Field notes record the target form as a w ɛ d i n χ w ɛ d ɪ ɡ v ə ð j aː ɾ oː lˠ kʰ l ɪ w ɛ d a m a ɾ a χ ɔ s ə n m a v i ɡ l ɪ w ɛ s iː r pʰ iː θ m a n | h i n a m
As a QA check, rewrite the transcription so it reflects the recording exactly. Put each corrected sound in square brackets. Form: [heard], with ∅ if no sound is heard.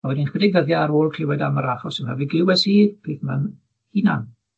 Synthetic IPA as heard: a w ɛ d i n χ w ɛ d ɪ ɡ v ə ð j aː ɾ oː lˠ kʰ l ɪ w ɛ d a m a ɾ a χ ɔ s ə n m a v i ɡ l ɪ w ɛ s iː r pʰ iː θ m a n | h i n a [n]